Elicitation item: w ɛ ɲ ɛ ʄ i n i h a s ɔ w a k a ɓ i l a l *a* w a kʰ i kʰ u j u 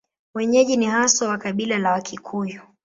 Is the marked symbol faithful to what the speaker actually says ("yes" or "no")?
yes